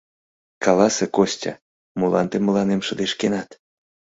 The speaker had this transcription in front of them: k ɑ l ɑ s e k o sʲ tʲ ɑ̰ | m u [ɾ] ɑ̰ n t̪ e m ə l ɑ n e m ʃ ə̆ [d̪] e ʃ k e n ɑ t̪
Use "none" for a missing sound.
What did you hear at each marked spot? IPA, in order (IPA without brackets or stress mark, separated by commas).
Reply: l, d̪